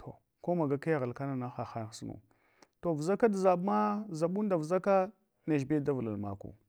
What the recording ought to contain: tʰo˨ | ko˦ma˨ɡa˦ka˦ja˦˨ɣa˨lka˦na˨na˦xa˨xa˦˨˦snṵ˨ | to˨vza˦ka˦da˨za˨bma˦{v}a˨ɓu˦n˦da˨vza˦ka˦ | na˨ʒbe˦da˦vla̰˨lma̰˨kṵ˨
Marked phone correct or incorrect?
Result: incorrect